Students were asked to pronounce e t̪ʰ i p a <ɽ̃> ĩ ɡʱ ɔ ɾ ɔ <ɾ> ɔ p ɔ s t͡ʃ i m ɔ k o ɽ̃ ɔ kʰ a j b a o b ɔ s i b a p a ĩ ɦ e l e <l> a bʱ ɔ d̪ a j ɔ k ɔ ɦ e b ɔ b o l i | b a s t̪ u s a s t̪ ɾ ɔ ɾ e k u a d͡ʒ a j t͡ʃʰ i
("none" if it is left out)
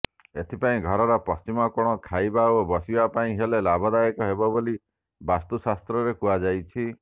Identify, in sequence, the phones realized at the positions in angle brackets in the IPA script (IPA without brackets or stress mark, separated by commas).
none, ɾ, l